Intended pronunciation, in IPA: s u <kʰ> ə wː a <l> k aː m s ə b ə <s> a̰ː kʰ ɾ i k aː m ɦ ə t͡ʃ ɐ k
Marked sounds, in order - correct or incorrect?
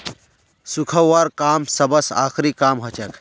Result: correct, incorrect, correct

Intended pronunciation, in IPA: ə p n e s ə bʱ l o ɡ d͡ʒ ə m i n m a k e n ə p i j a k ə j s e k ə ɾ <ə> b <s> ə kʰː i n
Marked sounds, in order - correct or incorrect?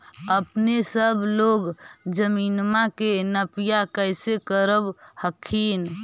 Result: correct, incorrect

